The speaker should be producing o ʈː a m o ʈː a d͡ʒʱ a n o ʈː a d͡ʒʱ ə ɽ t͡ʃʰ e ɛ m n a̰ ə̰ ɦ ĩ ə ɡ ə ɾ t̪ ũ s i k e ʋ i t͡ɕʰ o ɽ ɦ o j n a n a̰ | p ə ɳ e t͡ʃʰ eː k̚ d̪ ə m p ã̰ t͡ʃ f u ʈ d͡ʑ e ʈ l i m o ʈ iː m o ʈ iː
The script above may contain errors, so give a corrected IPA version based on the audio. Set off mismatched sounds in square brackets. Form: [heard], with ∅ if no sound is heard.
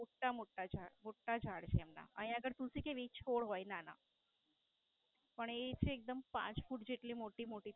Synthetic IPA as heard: o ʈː a m o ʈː a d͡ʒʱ a [m] o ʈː a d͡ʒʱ [a] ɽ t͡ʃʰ e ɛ m n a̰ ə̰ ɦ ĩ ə ɡ ə ɾ t̪ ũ s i k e ʋ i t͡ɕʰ o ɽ ɦ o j n a n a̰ | p ə ɳ e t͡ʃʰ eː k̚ d̪ ə m p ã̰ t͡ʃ f u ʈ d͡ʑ e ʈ l i m o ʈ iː m o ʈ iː

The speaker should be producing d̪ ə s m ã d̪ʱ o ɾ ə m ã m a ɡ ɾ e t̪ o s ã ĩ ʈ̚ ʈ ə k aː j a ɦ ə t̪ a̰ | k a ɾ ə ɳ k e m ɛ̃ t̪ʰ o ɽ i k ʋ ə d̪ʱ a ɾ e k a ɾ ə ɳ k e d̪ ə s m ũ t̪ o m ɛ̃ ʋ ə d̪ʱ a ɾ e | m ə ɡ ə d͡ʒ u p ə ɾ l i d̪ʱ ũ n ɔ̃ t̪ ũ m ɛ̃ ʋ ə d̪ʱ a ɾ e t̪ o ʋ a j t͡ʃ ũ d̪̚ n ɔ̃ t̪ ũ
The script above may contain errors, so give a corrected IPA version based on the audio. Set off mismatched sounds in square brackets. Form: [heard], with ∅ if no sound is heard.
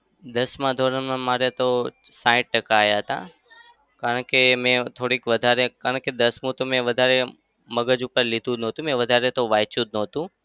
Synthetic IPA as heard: d̪ ə s m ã d̪ʱ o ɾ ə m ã m a [∅] ɾ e t̪ o s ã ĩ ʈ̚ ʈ ə k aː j a ɦ ə t̪ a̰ | k a ɾ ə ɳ k e m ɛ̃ t̪ʰ o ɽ i k ʋ ə d̪ʱ a ɾ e k a ɾ ə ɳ k e d̪ ə s m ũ t̪ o m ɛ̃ ʋ ə d̪ʱ a ɾ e | m ə ɡ ə d͡ʒ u p ə ɾ l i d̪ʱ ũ n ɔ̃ t̪ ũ m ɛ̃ ʋ ə d̪ʱ a ɾ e t̪ o ʋ a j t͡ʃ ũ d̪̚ n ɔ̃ t̪ ũ

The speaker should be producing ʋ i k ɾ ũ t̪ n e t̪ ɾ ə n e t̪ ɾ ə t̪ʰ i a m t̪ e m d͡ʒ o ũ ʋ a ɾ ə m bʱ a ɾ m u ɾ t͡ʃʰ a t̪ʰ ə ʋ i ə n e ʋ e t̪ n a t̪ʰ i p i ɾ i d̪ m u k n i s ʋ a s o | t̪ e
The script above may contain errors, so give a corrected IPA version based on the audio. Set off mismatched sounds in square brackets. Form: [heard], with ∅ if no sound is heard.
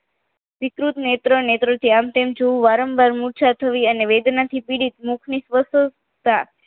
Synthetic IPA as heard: ʋ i k ɾ [u] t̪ n e t̪ ɾ ə n e t̪ ɾ ə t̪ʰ i a m t̪ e m d͡ʒ o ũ ʋ a ɾ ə m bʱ a ɾ m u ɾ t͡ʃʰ a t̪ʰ ə ʋ i ə n e ʋ e [d̪] n a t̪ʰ i p i [ɽ] i [t̪] m u [kʰ] n i s ʋ [ə] s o | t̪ [a]

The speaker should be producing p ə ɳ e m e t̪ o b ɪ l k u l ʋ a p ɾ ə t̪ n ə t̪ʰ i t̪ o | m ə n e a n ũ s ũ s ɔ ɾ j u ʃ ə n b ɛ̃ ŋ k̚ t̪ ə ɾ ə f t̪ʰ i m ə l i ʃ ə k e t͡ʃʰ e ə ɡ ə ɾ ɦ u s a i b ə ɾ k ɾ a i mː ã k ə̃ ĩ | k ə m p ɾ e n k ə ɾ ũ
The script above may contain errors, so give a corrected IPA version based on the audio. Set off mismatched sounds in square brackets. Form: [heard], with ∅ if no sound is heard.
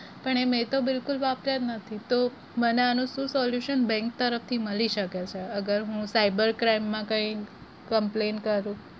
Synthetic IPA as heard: p ə ɳ e m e t̪ o b ɪ l k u l ʋ a p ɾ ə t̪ n ə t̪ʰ i t̪ o | m ə n e a n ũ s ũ s ɔ [l] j u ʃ ə n b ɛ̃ ŋ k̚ t̪ ə ɾ ə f t̪ʰ i m ə l i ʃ ə k e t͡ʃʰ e ə ɡ ə ɾ ɦ [ũ] s a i b ə ɾ k ɾ a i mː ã k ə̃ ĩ | k ə m p [l] e n k ə ɾ ũ

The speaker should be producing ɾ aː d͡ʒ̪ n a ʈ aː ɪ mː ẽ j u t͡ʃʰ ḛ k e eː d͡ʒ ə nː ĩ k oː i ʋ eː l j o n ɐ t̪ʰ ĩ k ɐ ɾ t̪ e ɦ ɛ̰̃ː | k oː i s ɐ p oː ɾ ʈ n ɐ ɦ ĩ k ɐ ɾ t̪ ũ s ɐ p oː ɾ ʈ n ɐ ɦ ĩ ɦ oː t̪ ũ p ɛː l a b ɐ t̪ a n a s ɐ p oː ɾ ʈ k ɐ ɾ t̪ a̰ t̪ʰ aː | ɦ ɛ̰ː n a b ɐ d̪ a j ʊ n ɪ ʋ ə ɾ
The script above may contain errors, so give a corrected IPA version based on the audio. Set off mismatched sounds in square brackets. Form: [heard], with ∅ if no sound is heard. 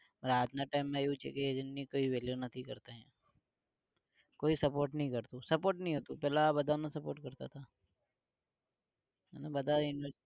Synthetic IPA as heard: ɾ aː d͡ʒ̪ n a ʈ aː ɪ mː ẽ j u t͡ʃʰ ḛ k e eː d͡ʒ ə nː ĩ k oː i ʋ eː l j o n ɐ t̪ʰ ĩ k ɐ ɾ t̪ e ɦ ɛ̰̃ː | k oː i s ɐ p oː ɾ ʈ n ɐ ɦ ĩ k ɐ ɾ t̪ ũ s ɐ p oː ɾ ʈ n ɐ ɦ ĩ ɦ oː t̪ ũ p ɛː l a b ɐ [d̪] a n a s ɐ p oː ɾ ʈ k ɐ ɾ t̪ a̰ t̪ʰ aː | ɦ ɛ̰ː n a b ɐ d̪ a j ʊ n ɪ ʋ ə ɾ

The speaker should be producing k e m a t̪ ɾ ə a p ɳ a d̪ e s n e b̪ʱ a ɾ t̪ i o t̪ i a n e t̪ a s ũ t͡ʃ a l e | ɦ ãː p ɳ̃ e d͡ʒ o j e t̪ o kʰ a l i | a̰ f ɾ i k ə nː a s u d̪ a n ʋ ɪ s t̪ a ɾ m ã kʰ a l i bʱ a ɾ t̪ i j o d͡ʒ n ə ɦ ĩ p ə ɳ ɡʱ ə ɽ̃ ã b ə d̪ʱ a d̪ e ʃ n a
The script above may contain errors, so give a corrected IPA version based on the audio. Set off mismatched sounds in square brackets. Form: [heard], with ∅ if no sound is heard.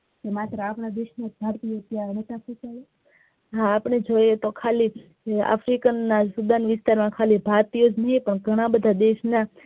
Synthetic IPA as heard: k e m a t̪ ɾ ə a p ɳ a d̪ e [ʃ] n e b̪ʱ a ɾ t̪ i o t̪ [j] a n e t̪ a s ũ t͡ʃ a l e | ɦ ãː p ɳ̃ e d͡ʒ o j e t̪ o kʰ a l i | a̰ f ɾ i k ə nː a s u d̪ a n ʋ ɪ s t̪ a ɾ m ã kʰ a l i bʱ a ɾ t̪ i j o d͡ʒ n ə ɦ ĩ p ə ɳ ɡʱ ə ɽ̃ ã b ə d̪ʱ a d̪ e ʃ n a

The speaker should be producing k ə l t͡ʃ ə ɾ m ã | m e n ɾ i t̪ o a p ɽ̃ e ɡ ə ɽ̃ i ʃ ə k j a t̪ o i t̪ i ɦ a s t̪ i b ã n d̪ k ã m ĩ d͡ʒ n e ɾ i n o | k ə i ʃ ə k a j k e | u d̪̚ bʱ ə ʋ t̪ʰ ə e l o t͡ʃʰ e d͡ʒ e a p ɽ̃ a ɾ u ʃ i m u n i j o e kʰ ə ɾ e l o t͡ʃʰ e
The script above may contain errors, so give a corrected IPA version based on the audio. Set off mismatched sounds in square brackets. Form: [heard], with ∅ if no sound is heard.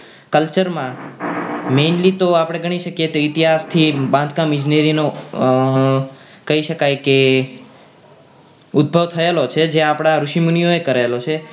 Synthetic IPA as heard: k ə l t͡ʃ ə ɾ m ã | m e n [l] i t̪ o a p ɽ̃ e ɡ ə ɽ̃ i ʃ ə k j [e] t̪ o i t̪ i ɦ a s [t̪ʰ] i b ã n d̪ k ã m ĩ d͡ʒ n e ɾ i n o | k ə i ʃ ə k a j k e | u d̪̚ bʱ ə ʋ t̪ʰ ə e l o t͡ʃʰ e d͡ʒ e a p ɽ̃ a ɾ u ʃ i m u n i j o e [k] ə ɾ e l o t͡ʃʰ e

